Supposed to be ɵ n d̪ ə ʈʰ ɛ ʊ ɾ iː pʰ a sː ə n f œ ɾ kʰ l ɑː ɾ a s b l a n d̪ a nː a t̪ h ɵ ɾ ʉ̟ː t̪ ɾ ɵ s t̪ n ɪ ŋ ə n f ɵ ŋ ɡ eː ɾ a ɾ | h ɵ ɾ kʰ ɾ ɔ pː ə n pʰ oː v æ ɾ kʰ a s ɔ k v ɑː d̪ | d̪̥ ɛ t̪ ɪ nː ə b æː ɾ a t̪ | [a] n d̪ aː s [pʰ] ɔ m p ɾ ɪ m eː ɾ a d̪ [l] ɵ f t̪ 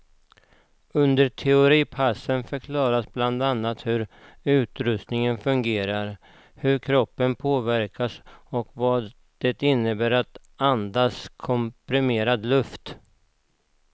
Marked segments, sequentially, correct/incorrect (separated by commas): correct, incorrect, correct